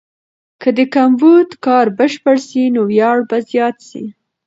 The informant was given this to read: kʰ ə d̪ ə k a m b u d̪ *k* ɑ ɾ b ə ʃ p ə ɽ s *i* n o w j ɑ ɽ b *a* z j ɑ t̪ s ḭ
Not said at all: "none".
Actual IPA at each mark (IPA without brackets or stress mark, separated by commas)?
k, i, a